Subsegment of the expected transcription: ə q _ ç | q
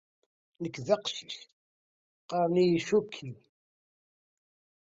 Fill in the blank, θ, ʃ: ʃ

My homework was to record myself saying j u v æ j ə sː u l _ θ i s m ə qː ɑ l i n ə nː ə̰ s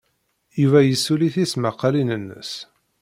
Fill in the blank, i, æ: i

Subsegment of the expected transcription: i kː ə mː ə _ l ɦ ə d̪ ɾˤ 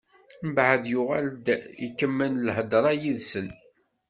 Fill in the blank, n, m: n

